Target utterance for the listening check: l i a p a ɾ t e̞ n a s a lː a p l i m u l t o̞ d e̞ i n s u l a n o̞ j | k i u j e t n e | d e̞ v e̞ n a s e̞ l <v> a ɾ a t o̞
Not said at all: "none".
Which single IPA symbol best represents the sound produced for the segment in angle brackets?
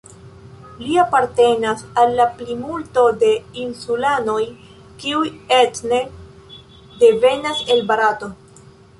b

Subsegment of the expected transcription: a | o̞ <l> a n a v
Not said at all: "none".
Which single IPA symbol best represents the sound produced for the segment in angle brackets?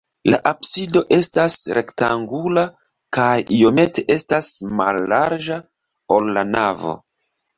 lː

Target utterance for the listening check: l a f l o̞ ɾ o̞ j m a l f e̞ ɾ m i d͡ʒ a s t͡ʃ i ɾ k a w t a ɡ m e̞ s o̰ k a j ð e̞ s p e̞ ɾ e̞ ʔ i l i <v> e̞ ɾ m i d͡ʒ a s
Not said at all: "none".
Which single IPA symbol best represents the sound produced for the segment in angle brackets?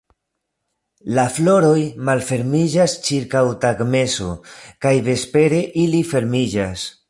f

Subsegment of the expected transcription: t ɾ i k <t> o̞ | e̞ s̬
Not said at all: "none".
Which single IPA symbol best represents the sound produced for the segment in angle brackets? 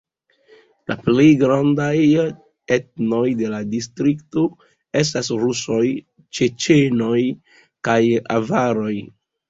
t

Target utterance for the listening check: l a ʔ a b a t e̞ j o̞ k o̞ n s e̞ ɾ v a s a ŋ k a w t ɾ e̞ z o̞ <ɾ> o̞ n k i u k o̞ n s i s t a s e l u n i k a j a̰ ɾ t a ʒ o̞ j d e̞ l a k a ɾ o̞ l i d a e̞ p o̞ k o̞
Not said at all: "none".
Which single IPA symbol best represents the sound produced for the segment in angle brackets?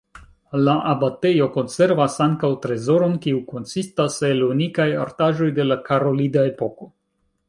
ɾ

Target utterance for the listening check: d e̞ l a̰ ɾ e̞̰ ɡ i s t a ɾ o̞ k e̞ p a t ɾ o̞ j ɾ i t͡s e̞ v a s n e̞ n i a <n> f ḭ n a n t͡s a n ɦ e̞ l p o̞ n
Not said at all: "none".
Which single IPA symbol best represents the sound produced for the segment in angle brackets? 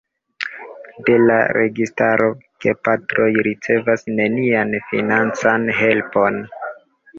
n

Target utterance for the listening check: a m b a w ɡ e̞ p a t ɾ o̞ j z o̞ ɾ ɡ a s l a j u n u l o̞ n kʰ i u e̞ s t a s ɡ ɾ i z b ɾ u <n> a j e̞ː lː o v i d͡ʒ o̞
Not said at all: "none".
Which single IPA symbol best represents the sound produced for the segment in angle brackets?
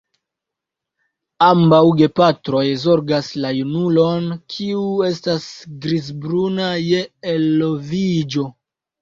n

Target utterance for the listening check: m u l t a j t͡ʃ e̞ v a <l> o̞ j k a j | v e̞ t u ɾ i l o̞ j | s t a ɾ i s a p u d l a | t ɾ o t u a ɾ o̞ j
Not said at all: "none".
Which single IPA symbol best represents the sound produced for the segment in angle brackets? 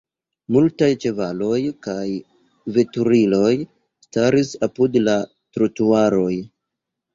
l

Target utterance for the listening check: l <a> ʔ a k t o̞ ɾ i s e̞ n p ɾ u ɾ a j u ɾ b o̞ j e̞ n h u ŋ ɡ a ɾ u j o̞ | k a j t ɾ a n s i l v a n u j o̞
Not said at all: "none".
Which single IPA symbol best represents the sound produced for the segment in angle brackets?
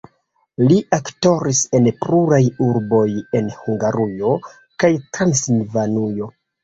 i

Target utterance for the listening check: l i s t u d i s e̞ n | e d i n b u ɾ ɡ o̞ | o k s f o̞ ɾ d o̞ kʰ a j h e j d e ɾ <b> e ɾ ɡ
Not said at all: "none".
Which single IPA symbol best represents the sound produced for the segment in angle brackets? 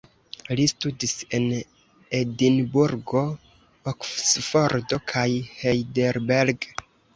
b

